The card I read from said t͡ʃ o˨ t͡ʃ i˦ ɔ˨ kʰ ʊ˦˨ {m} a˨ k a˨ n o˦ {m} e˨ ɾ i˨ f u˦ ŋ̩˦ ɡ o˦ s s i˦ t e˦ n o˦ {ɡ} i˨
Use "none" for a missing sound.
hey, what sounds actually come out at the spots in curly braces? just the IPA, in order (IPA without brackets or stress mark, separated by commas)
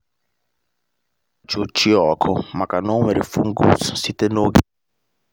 m, m, ɡ